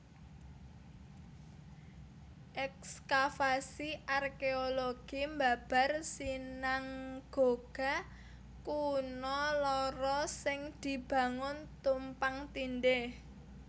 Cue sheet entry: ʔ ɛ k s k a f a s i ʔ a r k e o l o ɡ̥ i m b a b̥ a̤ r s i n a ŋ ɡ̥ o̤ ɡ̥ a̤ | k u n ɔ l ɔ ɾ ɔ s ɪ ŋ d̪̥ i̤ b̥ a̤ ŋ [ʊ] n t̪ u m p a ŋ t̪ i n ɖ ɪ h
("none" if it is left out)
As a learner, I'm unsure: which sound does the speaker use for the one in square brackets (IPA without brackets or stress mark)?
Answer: ʊ